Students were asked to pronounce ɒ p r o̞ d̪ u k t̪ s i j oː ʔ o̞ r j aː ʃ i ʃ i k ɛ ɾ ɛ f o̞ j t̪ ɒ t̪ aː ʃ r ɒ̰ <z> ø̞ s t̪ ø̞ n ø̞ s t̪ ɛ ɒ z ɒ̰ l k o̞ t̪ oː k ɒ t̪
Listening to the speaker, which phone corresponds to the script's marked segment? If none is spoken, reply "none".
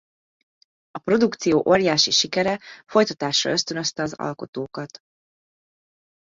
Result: none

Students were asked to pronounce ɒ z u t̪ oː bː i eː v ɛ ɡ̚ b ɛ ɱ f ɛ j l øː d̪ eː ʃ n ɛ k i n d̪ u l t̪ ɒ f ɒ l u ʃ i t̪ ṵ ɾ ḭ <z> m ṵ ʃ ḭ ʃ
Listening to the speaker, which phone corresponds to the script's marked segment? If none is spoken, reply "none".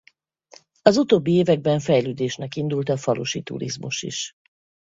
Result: z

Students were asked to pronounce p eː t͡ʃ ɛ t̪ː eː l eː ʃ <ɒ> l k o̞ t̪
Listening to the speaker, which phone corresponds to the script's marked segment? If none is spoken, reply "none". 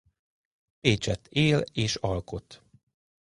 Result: ɒ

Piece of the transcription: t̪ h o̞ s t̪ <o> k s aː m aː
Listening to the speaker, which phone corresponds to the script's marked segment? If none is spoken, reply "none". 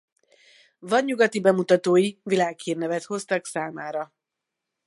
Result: ɒ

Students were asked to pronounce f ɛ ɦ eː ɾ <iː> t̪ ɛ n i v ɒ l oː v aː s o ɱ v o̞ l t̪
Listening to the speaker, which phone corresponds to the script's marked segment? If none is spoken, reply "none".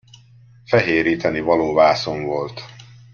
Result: iː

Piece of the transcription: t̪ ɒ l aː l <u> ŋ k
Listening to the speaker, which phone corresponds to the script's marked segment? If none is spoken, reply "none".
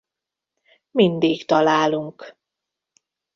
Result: u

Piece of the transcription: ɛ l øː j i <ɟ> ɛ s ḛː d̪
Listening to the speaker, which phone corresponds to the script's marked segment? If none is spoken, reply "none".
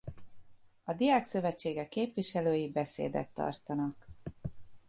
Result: b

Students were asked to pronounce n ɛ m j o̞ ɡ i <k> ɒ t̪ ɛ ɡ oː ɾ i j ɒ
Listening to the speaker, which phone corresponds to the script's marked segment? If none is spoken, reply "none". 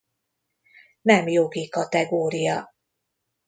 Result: k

